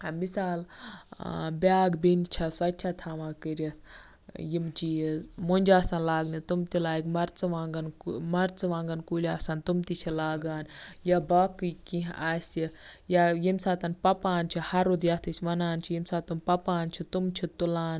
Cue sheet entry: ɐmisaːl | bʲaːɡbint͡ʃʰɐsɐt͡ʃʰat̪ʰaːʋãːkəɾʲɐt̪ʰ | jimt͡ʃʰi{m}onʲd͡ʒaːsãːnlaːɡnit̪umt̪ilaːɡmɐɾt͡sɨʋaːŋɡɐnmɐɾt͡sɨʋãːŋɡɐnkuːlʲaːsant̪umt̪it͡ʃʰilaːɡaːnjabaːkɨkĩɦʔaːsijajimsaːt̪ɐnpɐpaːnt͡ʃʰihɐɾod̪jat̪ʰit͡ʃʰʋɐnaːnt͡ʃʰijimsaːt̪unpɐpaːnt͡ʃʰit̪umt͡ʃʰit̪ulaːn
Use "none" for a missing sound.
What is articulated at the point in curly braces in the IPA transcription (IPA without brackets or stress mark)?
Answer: m